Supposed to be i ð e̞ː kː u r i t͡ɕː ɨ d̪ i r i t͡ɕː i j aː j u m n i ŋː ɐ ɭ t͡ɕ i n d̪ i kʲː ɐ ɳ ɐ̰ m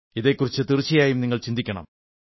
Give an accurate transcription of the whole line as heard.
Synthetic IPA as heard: i ð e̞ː kː u r i t͡ɕː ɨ t̪ i r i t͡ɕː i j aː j u m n i ŋː ɐ ɭ t͡ɕ i n d̪ i kʲː ɐ ɳ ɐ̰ m